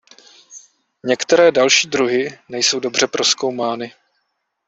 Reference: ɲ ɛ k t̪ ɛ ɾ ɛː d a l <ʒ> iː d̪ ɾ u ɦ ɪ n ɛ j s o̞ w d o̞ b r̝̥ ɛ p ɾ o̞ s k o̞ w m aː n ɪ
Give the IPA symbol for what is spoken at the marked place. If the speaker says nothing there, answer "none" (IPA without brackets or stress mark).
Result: ʃ